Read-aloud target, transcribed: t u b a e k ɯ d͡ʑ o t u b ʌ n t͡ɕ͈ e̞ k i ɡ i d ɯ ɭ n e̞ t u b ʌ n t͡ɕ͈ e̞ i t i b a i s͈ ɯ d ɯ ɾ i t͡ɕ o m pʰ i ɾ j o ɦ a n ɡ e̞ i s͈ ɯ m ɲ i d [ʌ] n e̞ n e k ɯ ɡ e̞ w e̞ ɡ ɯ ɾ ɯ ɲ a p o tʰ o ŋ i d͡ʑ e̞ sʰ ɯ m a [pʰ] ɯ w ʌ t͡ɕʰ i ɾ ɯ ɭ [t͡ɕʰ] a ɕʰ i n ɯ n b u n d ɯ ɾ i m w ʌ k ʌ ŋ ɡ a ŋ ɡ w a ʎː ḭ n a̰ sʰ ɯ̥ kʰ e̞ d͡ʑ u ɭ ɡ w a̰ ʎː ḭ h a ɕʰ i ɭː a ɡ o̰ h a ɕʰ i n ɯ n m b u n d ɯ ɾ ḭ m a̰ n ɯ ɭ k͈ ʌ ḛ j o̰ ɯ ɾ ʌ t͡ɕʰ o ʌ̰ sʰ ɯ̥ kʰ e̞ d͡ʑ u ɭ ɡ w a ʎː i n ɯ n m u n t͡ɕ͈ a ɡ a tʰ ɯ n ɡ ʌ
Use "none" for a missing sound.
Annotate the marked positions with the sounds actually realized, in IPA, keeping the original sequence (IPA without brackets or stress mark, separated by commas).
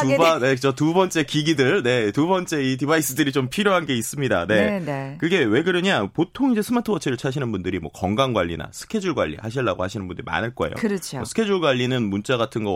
a, tʰ, t͡ɕʰ